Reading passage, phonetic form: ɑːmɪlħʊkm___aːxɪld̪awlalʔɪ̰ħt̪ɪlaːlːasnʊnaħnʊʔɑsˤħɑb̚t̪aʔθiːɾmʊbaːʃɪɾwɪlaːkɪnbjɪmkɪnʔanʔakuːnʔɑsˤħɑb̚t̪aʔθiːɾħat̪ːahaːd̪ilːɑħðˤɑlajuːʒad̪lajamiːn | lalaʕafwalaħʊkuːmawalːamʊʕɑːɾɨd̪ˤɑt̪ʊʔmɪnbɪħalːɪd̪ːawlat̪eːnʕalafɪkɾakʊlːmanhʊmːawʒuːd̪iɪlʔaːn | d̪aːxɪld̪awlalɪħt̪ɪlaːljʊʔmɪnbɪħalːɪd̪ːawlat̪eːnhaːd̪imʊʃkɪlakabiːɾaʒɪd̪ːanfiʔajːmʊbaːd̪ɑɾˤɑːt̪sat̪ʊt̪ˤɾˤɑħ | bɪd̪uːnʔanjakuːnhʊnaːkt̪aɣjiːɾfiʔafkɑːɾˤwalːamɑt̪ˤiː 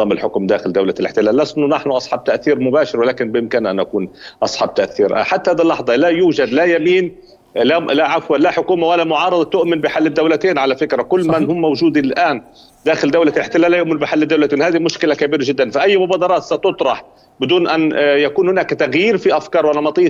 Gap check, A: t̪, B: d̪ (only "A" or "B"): B